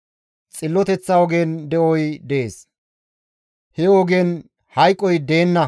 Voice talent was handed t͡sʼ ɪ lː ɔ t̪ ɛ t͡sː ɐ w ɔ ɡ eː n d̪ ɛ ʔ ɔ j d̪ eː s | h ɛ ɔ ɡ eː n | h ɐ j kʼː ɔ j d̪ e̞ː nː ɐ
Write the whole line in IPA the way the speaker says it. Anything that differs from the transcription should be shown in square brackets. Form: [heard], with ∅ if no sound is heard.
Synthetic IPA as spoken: t͡sʼ ɪ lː ɔ t̪ ɛ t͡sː ɐ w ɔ ɡ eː n d̪ ɛ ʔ ɔ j d̪ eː s | h ɛ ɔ ɡ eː n | h ɐ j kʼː ɔ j d̪ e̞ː nː ɐ